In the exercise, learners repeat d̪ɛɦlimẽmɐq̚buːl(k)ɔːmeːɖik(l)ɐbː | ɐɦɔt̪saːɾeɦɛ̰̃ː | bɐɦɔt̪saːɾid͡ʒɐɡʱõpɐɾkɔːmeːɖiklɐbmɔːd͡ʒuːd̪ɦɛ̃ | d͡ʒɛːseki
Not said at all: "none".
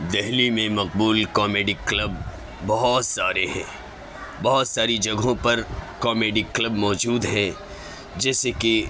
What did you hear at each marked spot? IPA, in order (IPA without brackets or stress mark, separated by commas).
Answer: k, l